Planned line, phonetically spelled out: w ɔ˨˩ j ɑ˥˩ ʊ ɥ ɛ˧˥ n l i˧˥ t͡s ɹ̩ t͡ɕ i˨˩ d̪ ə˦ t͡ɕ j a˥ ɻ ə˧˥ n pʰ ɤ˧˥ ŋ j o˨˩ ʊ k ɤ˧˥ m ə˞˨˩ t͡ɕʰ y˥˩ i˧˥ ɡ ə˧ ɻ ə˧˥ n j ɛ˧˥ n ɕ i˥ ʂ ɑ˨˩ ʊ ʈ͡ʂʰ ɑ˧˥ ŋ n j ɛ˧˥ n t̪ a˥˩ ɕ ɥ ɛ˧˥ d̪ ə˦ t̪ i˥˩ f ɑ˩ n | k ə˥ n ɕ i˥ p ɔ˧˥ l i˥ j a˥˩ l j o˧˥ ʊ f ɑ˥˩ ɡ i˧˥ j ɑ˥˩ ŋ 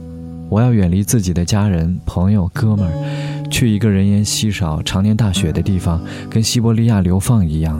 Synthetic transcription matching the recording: w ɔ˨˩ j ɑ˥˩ ʊ ɥ ɛ˨˩ n l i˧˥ t͡s ɹ̩ t͡ɕ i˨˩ d̪ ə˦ t͡ɕ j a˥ ɻ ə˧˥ n pʰ ɤ˧˥ ŋ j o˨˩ ʊ k ɤ˥ m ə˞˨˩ t͡ɕʰ y˥˩ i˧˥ ɡ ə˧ ɻ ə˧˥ n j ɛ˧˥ n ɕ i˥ ʂ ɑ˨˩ ʊ ʈ͡ʂʰ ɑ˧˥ ŋ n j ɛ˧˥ n t̪ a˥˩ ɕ ɥ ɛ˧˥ d̪ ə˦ t̪ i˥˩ f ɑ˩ ŋ | k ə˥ n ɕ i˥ p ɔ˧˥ l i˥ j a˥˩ l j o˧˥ ʊ f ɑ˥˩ ŋ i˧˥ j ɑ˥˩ ŋ